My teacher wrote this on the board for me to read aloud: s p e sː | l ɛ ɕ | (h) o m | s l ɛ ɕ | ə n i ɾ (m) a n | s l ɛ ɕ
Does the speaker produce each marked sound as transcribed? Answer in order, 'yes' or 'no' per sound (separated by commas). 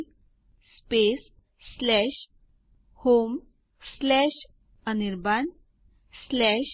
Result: yes, no